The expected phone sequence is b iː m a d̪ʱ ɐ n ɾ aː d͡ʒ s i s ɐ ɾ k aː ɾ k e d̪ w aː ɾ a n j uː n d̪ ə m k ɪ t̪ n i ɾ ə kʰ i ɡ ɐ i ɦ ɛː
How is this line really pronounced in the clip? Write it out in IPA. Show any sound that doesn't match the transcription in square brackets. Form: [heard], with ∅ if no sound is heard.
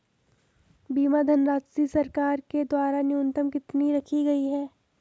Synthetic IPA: b iː m a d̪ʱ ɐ n ɾ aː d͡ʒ s i s ɐ ɾ k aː ɾ k e d̪ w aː ɾ a n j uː n [t̪] ə m k ɪ t̪ n i ɾ [ɐ] kʰ i ɡ ɐ i ɦ ɛː